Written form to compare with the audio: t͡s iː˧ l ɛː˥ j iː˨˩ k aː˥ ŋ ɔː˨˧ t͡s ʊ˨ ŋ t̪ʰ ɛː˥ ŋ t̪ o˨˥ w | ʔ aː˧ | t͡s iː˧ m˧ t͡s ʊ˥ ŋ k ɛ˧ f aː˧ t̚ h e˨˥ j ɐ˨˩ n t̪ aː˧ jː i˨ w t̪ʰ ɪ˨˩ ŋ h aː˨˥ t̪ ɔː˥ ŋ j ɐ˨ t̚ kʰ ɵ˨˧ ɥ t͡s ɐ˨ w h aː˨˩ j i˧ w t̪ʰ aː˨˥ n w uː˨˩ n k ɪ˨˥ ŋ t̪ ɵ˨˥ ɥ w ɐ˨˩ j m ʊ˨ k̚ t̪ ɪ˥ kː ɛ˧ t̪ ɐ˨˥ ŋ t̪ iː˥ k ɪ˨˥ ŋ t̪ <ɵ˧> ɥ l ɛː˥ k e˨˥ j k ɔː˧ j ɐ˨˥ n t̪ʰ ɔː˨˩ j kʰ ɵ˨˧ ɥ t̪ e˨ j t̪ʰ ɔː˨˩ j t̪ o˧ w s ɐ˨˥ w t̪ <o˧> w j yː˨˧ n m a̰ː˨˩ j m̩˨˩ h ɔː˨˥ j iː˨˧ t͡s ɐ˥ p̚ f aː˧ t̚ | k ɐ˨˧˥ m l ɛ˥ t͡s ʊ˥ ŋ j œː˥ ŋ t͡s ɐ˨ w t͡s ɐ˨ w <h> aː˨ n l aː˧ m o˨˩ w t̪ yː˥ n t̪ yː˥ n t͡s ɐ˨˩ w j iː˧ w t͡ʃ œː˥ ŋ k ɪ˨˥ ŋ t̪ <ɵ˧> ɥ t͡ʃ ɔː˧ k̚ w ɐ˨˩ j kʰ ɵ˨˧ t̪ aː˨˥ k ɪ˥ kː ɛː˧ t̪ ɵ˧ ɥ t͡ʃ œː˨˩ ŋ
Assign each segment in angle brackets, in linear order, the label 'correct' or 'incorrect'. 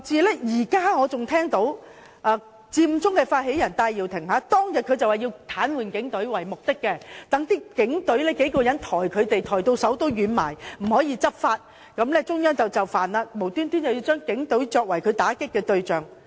incorrect, incorrect, incorrect, incorrect

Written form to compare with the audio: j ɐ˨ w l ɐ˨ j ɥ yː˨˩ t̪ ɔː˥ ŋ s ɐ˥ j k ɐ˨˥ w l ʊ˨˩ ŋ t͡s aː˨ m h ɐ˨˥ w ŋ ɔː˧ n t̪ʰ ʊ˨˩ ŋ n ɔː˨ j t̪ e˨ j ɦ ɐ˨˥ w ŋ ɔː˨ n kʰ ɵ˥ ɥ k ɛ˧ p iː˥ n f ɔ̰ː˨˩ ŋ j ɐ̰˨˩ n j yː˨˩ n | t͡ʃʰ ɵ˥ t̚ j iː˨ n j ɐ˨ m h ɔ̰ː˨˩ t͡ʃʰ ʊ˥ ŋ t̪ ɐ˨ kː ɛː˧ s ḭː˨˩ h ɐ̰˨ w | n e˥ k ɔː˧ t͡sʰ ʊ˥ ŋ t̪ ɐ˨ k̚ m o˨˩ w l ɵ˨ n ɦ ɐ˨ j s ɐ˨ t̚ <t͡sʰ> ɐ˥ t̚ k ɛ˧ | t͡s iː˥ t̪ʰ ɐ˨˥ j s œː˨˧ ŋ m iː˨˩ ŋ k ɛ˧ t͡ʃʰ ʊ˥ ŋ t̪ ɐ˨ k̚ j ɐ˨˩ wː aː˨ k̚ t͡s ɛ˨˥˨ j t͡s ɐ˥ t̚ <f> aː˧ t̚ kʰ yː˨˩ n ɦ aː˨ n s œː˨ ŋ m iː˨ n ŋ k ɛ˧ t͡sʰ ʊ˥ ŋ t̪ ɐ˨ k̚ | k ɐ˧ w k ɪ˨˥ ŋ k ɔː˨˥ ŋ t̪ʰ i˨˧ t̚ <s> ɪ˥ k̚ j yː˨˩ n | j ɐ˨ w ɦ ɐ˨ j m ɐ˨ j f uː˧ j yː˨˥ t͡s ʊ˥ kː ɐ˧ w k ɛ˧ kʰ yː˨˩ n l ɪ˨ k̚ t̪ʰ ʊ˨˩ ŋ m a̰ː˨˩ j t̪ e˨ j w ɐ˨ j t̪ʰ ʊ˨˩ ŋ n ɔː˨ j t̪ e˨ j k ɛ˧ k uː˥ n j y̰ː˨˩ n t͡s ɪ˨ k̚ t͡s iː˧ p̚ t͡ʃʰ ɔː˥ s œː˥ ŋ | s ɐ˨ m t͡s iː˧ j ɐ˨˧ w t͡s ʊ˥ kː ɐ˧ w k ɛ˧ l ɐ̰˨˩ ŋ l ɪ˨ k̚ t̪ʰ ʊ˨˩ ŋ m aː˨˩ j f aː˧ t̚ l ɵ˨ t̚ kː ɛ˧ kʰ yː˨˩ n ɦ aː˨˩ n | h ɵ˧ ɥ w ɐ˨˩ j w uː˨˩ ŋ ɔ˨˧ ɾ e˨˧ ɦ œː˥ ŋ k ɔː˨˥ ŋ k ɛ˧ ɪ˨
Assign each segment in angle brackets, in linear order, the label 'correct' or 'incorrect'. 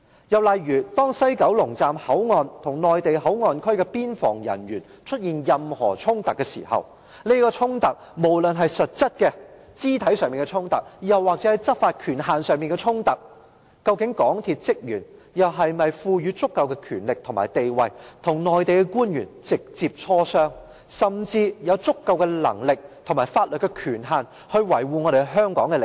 incorrect, correct, incorrect

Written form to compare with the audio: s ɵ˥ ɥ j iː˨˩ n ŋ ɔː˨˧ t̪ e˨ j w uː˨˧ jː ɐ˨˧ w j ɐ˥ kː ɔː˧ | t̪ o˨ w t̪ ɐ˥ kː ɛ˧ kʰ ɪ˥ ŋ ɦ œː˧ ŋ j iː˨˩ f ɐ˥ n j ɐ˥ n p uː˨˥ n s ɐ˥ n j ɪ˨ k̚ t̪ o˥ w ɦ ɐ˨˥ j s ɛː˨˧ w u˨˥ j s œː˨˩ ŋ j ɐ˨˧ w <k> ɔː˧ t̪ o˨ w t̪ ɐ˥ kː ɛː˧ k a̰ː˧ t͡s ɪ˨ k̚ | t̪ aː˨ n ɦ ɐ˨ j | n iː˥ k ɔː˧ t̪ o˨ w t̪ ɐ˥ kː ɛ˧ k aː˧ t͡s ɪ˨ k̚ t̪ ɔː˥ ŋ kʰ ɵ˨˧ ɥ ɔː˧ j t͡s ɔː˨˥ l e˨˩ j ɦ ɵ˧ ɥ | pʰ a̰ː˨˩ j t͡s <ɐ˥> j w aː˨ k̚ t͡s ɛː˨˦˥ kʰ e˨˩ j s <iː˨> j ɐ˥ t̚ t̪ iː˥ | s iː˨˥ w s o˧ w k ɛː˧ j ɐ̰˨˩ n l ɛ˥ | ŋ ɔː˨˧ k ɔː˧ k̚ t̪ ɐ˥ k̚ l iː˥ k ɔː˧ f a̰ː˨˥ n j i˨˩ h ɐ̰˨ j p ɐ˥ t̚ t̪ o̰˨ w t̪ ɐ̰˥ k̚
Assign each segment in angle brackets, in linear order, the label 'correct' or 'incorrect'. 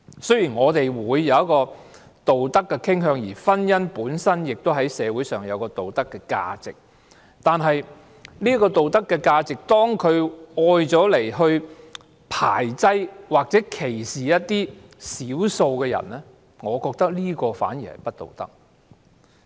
correct, correct, correct

